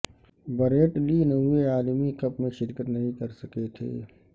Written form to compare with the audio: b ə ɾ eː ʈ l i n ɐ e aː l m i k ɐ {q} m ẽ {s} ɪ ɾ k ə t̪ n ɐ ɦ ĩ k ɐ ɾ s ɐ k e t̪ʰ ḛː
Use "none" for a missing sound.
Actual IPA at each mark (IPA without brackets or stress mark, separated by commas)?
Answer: p, ʃ